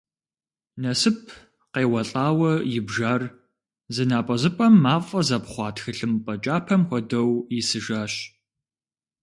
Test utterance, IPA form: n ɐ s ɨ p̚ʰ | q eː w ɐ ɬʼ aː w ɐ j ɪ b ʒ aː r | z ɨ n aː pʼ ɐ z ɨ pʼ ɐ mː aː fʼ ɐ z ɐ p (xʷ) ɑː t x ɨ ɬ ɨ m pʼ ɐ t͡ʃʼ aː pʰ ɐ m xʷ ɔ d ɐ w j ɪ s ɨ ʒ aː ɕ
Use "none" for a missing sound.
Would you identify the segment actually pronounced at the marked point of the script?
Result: χʷ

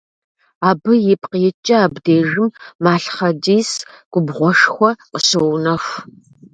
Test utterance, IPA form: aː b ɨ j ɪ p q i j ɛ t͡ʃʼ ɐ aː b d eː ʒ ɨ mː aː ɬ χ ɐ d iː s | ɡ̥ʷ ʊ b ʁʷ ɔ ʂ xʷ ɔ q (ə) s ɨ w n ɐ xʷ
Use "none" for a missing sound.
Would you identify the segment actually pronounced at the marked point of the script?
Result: ə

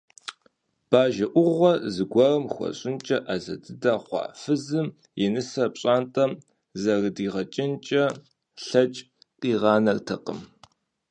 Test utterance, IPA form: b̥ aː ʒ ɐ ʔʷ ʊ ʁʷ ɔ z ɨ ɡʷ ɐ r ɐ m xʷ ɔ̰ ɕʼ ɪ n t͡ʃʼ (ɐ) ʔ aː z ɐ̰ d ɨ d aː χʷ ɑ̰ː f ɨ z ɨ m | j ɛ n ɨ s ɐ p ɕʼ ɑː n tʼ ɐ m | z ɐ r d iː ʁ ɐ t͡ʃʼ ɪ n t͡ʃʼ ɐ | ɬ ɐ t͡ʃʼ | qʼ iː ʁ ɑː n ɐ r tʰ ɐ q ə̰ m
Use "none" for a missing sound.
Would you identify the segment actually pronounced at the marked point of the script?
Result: ɐ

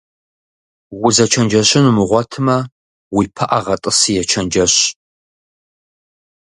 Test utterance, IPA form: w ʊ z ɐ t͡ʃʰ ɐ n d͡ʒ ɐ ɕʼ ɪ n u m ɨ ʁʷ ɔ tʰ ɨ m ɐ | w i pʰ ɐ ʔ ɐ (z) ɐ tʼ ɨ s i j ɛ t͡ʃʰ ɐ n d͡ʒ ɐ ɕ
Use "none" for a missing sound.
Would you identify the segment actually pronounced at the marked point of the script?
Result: ʁ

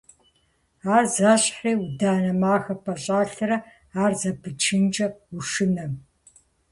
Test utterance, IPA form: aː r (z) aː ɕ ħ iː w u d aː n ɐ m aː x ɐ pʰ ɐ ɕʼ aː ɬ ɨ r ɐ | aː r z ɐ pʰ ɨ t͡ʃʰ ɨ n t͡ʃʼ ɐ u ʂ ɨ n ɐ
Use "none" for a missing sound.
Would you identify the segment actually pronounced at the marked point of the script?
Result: z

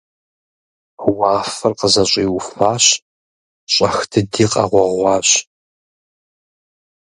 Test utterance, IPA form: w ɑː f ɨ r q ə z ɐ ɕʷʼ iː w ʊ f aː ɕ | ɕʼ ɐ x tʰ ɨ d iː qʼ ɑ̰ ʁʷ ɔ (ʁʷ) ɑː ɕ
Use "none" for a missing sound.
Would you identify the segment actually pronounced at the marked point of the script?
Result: ʁʷ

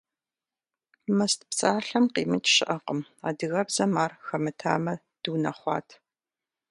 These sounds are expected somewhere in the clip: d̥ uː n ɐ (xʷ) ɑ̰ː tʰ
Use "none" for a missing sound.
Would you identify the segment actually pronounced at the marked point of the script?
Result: χʷ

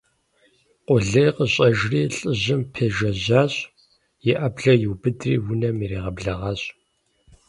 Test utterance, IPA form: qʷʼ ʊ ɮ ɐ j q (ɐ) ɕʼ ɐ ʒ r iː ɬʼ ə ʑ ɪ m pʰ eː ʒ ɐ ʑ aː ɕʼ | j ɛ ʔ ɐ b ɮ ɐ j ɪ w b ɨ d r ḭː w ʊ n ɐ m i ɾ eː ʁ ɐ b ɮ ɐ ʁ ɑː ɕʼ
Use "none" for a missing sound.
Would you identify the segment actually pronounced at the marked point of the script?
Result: ə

